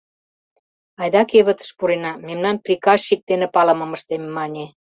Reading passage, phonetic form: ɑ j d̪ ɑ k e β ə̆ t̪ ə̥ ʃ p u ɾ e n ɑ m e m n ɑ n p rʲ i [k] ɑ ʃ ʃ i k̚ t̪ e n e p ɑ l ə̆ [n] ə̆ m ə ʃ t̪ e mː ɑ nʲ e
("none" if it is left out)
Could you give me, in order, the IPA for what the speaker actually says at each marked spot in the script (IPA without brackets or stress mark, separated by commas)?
k, m